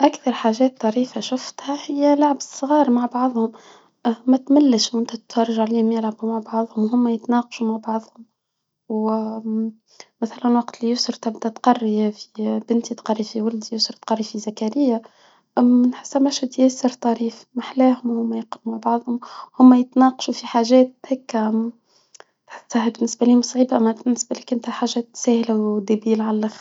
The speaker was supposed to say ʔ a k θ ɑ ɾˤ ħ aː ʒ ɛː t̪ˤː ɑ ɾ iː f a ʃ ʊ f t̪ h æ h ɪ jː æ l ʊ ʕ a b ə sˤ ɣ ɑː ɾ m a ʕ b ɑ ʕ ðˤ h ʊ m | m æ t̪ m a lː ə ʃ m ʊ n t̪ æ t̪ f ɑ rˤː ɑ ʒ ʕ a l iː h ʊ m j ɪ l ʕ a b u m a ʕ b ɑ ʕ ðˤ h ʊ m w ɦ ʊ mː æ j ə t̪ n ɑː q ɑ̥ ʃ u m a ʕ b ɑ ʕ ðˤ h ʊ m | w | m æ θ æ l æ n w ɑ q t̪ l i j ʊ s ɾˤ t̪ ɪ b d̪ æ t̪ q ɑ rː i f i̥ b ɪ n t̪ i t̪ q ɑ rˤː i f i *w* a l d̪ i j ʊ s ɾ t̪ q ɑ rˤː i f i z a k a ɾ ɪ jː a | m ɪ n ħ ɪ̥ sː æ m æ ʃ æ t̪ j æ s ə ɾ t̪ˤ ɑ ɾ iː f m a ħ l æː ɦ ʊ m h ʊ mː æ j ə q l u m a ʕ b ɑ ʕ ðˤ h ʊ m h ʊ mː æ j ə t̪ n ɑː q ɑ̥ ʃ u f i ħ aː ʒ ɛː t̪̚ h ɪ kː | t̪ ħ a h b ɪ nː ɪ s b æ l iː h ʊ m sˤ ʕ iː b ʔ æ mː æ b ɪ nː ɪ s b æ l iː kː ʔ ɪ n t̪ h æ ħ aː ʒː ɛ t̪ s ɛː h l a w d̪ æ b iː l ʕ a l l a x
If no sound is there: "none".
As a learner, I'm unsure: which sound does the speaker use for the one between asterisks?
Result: w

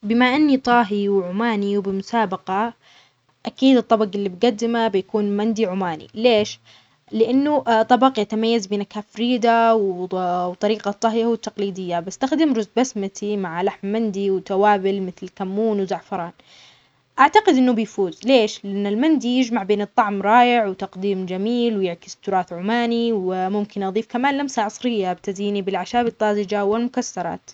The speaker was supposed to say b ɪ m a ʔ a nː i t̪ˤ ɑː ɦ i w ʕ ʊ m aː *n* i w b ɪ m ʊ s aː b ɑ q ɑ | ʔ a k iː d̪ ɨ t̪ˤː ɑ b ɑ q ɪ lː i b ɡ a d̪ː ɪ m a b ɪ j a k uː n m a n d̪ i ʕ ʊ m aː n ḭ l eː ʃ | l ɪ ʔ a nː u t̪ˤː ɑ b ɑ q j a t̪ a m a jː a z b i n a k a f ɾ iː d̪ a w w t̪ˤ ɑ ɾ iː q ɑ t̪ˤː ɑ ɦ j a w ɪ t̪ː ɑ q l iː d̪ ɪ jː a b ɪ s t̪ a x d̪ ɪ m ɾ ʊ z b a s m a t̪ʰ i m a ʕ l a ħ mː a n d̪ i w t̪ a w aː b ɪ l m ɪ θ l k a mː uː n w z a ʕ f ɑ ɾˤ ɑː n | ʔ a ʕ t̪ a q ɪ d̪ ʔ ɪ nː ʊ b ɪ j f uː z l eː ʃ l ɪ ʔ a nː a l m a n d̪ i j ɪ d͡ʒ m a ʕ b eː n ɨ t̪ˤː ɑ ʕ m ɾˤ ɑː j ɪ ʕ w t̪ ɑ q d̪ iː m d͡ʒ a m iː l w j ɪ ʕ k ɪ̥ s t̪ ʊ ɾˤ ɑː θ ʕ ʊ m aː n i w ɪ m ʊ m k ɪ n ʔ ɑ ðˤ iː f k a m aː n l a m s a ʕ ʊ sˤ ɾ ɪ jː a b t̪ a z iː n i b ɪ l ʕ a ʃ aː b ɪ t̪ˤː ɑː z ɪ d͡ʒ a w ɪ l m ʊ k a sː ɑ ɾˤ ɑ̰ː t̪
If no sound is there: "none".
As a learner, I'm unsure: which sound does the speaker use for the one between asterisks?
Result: n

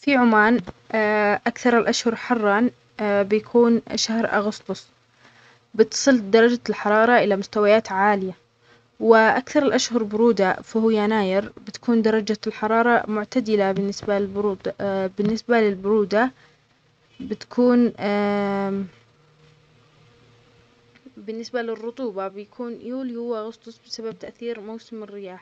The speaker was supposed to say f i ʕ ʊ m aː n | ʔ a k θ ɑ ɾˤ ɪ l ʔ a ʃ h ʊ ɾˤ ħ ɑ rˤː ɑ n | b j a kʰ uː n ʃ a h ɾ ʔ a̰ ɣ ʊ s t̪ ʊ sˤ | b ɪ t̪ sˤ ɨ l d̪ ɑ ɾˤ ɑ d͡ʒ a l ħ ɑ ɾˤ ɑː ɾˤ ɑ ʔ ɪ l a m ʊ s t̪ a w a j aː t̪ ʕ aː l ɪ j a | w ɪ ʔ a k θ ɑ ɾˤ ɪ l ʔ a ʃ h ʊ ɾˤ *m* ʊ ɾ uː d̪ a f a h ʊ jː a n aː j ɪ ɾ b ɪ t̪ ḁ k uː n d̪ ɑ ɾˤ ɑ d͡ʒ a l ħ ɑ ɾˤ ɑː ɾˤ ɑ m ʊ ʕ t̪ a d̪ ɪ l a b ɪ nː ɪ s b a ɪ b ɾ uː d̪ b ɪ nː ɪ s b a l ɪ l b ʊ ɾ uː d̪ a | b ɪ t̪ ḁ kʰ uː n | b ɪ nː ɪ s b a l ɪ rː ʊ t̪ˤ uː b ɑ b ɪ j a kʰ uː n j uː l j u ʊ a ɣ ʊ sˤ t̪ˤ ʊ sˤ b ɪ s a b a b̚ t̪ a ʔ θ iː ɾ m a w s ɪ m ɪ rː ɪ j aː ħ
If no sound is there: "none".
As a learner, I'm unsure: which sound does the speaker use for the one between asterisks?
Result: b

